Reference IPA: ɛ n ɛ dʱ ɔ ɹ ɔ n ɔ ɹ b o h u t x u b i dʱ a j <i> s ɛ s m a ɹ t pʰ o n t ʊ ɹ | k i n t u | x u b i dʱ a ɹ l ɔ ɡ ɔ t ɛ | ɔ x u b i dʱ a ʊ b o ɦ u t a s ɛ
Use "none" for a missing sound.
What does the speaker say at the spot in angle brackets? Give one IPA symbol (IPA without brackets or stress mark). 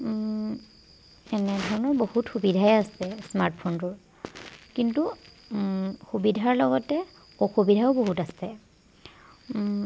a